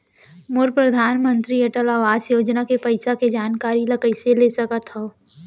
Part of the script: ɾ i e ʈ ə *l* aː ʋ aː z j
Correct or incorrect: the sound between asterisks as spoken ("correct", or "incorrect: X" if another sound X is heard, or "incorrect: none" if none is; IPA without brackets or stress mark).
correct